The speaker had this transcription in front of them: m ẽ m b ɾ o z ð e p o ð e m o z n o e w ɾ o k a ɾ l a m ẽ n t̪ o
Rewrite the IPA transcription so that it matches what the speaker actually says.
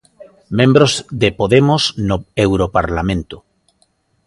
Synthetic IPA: m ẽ m b ɾ o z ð e p o ð e m o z n o e w ɾ o p a ɾ l a m ẽ n t̪ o